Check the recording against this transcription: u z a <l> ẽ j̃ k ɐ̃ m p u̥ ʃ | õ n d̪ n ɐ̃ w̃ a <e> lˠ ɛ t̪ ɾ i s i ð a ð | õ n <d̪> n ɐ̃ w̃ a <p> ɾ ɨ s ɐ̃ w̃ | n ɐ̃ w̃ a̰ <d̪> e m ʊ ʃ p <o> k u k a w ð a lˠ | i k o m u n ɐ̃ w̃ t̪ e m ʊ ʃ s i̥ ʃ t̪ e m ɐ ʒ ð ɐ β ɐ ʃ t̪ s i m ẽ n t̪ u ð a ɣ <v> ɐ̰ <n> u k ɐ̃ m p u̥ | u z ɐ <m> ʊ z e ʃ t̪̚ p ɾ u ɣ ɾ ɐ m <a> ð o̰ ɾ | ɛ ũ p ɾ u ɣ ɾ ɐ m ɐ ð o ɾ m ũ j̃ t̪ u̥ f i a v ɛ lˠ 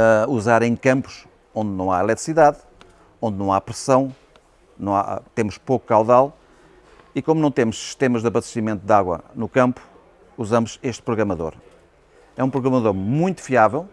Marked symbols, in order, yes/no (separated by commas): no, no, yes, yes, no, yes, no, yes, yes, no